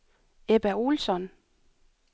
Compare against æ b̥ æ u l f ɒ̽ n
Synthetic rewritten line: e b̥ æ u l s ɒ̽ n